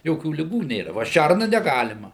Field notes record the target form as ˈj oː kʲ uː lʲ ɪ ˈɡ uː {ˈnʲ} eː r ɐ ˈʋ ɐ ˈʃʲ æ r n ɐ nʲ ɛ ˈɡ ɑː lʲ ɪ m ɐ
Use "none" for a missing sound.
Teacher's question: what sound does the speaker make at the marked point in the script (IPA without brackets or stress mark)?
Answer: nʲ